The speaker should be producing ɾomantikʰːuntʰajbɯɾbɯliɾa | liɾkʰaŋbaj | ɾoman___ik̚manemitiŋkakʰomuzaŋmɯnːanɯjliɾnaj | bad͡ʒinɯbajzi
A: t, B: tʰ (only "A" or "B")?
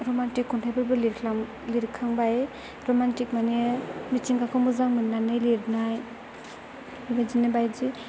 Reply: A